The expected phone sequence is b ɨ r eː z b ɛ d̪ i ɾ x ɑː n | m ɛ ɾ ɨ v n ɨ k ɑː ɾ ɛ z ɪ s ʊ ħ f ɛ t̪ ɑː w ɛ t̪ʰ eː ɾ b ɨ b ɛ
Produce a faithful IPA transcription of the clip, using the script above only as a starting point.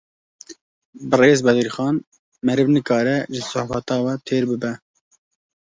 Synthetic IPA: b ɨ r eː z b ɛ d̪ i ɾ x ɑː n | m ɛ ɾ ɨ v n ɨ k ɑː ɾ ɛ ʒ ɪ s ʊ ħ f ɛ t̪ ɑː w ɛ t̪ʰ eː ɾ b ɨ b ɛ

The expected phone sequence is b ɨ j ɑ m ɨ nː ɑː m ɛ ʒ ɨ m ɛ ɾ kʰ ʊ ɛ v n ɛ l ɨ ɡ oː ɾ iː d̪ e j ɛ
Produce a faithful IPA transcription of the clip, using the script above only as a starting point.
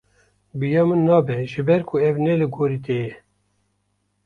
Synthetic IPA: b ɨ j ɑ m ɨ nː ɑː b ɛ ʒ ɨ b ɛ ɾ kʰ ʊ ɛ v n ɛ l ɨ ɡ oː ɾ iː t̪ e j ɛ

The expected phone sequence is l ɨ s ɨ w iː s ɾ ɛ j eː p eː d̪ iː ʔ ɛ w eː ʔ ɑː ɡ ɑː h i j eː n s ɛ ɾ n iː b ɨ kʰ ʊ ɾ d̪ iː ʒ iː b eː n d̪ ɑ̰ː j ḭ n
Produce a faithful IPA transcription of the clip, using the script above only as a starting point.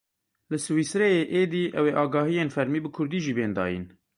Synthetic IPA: l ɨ s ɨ w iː s ɾ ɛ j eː ʔ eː d̪ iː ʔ ɛ w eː ʔ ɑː ɡ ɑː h i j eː n f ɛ ɾ m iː b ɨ kʰ ʊ ɾ d̪ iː ʒ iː b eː n d̪ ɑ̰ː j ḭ n

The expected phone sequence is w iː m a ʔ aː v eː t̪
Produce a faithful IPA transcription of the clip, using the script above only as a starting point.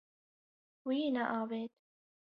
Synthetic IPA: w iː n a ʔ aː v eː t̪

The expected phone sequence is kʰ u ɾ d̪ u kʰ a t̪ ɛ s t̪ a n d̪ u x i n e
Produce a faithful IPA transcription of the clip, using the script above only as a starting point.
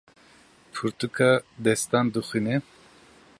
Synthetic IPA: pʰ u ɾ t̪ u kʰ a d̪ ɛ s t̪ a n d̪ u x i n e

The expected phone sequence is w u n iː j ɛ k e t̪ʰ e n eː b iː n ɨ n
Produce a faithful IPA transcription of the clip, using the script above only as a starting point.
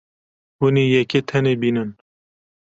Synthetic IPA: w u n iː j ɛ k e t̪ʰ ɛ n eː b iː n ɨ n

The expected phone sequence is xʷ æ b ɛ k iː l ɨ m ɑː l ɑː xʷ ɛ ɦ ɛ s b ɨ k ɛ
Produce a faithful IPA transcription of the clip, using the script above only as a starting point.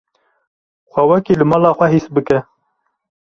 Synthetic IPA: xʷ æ w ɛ k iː l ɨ m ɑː l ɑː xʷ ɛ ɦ i s b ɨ k ɛ

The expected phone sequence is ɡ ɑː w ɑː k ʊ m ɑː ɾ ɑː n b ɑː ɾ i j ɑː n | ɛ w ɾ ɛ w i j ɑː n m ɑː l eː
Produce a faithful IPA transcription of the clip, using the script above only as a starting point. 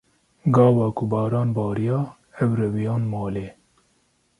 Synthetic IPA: ɡ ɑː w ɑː k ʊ b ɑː ɾ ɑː n b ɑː ɾ i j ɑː | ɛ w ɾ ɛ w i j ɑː n m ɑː l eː

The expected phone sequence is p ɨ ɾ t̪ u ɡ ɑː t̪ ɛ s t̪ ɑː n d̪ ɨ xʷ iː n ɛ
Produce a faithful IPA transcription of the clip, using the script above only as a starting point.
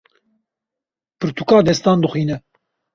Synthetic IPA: p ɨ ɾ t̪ u k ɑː d̪ ɛ s t̪ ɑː n d̪ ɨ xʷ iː n ɛ

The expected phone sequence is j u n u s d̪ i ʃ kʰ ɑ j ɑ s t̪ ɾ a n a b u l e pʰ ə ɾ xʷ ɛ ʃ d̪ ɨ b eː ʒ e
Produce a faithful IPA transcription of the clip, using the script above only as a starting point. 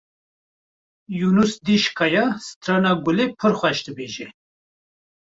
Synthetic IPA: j u n u s d̪ i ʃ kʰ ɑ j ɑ s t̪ ɾ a n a ɡ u l e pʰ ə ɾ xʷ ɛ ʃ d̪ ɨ b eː ʒ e

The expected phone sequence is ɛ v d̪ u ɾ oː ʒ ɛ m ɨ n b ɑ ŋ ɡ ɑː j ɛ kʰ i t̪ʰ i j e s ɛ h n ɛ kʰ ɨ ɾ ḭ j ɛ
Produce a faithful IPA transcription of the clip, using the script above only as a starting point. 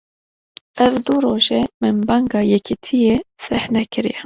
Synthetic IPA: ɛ v d̪ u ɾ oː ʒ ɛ m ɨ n b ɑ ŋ ɡ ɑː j ɛ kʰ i t̪ʰ i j e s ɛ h n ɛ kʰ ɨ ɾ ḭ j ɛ

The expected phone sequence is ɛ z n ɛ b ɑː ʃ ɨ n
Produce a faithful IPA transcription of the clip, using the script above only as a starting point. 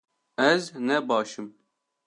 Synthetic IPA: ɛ z n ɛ b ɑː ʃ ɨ m

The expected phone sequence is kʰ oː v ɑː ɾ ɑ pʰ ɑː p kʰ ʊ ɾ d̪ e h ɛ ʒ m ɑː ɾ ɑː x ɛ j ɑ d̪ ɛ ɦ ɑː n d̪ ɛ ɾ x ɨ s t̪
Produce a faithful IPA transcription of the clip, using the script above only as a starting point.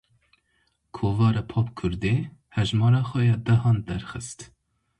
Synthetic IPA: kʰ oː v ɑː ɾ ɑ pʰ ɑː p kʰ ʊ ɾ d̪ e h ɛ ʒ m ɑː ɾ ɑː x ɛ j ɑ d̪ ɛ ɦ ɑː n d̪ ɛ ɾ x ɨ s t̪

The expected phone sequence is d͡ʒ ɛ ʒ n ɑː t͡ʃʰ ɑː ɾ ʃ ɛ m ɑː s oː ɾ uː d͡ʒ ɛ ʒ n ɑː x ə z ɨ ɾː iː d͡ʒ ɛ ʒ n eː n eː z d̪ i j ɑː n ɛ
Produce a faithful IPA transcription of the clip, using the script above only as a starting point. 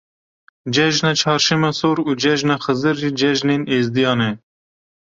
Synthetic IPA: d͡ʒ ɛ ʒ n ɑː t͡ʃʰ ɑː ɾ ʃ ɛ m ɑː s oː ɾ uː d͡ʒ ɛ ʒ n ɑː x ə z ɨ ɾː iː d͡ʒ ɛ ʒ n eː n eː z d̪ i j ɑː n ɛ

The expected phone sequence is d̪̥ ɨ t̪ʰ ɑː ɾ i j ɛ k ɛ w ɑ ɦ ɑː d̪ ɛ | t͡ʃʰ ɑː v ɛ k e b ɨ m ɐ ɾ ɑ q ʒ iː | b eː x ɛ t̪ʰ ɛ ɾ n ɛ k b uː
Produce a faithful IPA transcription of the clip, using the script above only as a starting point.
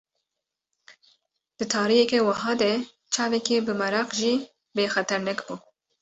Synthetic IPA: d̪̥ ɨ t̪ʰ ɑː ɾ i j ɛ k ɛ w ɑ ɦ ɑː d̪ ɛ | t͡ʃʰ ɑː v ɛ k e b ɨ m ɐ ɾ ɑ q ʒ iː | b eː x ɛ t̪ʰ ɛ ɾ n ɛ k b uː

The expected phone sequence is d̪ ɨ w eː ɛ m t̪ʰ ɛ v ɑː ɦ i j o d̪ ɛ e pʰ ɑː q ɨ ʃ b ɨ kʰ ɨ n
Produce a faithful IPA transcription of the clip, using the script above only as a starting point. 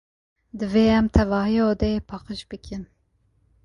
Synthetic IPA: d̪ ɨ v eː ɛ m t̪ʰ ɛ v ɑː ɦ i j o d̪ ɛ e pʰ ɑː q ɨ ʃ b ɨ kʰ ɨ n

